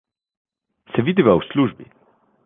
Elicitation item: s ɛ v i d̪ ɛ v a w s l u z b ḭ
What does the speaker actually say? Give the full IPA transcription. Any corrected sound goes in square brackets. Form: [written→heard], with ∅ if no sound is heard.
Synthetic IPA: s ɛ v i d̪ [ɛ→i] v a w s l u [z→ʒ] b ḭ

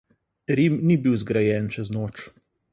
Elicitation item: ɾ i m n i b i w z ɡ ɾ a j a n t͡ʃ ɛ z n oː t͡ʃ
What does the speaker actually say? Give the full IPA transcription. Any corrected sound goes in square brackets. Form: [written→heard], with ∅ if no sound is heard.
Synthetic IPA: ɾ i m n i b i w z ɡ ɾ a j [a→ɛ] n t͡ʃ ɛ z n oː t͡ʃ

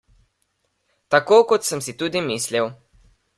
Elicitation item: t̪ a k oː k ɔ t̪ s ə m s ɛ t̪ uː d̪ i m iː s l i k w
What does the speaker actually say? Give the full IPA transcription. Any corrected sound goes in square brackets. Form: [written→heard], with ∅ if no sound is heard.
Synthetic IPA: t̪ a k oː k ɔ t̪ s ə m s [ɛ→i] t̪ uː d̪ i m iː s l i [k→∅] w

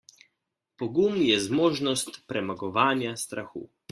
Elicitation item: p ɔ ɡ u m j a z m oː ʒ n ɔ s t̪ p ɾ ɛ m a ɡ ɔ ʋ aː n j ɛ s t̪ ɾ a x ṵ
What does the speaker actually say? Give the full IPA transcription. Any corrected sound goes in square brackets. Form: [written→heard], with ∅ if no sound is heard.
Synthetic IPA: p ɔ ɡ u m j [a→ɛ] z m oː ʒ n ɔ s t̪ p ɾ ɛ m a ɡ ɔ ʋ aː n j [ɛ→a] s t̪ ɾ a x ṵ

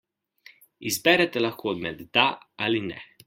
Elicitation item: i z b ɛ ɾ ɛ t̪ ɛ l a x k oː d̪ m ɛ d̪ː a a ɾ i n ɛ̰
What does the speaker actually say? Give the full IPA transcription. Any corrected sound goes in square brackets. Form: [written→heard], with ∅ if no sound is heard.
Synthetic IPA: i z b ɛ ɾ ɛ t̪ ɛ l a x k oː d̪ m ɛ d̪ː a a [ɾ→l] i n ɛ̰

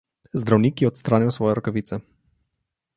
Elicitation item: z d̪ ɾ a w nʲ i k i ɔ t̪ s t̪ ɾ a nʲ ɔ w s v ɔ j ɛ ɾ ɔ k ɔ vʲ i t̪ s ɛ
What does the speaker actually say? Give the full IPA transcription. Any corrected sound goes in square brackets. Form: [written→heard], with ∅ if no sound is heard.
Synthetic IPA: z d̪ ɾ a w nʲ i k i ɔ t̪ s t̪ ɾ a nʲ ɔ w s v ɔ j ɛ ɾ ɔ k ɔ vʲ i t̪ s ɛ

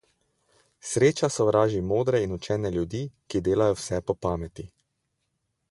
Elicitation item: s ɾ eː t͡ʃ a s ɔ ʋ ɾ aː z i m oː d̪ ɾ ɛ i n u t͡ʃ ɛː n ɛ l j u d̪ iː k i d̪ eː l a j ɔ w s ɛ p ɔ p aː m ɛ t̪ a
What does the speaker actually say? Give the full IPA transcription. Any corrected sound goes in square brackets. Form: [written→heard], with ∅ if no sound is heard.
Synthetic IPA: s ɾ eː t͡ʃ a s ɔ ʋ ɾ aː [z→ʒ] i m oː d̪ ɾ ɛ i n u t͡ʃ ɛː n ɛ l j u d̪ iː k i d̪ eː l a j ɔ w s ɛ p ɔ p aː m ɛ t̪ [a→i]

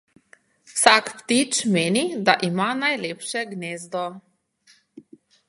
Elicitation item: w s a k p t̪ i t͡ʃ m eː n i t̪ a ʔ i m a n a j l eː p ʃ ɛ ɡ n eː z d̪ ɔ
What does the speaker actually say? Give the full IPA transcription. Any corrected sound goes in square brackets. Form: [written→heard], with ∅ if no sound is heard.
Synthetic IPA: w s a k p t̪ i t͡ʃ m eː n i [t̪→d̪] a ʔ i m a n a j l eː p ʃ ɛ ɡ n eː z d̪ ɔ

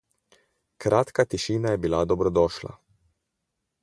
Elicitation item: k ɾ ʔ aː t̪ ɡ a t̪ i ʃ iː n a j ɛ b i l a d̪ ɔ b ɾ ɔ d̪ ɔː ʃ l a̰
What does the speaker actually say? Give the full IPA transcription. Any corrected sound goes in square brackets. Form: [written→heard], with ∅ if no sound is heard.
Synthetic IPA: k ɾ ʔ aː t̪ [ɡ→k] a t̪ i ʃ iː n a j ɛ b i l a d̪ ɔ b ɾ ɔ d̪ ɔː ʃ l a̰

